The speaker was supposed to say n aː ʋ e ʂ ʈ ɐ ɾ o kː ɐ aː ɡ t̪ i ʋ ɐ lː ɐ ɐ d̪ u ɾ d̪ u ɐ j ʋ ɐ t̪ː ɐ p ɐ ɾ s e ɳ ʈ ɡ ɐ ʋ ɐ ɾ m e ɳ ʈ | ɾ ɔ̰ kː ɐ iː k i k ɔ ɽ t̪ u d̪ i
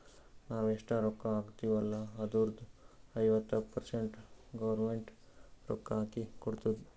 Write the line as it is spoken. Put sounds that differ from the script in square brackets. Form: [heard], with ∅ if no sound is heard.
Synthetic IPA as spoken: n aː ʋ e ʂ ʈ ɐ ɾ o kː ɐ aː ɡ t̪ i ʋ ɐ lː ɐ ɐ d̪ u ɾ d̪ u ɐ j ʋ ɐ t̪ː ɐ p ɐ ɾ s e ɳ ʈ ɡ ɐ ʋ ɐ ɾ m e ɳ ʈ | ɾ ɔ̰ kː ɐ [aː] k i k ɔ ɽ t̪ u d̪ i